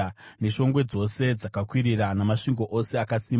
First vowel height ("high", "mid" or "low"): mid